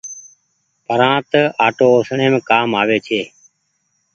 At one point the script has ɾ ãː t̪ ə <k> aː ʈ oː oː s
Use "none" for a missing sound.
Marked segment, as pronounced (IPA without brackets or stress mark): none